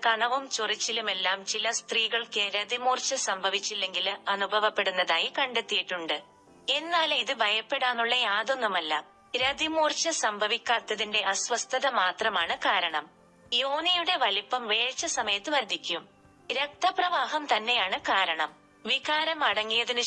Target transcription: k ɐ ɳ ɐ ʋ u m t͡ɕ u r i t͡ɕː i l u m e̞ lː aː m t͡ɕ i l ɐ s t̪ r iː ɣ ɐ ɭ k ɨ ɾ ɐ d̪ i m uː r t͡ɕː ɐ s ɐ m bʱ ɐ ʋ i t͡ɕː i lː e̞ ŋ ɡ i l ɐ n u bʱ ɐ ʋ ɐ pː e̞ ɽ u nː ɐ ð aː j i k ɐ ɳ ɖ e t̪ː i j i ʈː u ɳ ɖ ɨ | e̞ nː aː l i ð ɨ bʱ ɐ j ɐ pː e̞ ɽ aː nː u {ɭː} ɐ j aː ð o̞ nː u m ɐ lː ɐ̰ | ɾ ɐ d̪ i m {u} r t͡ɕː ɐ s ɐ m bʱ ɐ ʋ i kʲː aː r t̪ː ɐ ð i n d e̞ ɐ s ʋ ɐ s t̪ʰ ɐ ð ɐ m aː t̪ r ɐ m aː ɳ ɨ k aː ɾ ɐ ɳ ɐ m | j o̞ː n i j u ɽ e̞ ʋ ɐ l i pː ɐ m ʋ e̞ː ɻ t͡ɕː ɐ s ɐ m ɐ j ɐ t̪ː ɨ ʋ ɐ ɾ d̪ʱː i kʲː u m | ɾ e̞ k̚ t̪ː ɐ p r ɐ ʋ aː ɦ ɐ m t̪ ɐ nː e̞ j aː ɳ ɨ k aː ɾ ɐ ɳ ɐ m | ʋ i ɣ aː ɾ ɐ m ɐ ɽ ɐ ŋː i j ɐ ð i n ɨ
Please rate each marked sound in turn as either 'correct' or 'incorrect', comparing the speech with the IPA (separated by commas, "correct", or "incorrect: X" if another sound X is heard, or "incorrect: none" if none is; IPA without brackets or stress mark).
correct, incorrect: uː